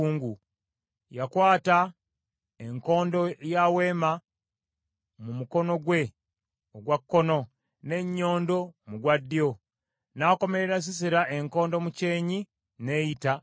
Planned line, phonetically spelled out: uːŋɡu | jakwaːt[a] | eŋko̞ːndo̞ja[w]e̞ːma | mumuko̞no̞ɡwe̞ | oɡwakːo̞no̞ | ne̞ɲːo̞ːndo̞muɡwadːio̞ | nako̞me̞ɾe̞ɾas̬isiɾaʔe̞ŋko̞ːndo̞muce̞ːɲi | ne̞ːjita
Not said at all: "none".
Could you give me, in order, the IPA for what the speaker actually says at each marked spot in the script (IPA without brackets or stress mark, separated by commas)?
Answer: a, w